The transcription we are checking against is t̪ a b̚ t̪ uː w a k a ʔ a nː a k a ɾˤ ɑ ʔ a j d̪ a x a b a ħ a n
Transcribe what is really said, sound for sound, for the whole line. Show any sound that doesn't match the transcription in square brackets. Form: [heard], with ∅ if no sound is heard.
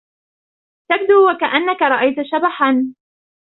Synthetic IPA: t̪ a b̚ [d̪] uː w a k a ʔ a nː a k a ɾˤ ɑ ʔ a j [t̪] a [ʃ] a b a ħ a n